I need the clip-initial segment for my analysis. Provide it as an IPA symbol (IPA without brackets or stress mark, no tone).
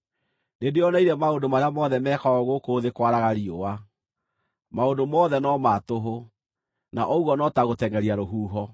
n